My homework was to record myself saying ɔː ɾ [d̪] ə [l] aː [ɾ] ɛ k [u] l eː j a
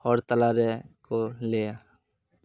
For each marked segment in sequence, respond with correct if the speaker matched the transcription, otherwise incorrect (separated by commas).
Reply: incorrect, correct, correct, incorrect